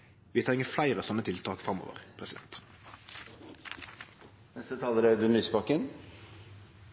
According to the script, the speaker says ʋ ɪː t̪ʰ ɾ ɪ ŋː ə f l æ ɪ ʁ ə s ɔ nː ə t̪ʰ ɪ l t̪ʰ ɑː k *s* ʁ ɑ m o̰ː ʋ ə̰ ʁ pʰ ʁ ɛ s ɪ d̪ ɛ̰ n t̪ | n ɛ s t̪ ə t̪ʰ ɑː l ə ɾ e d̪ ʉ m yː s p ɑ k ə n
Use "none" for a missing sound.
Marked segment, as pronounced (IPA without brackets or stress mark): f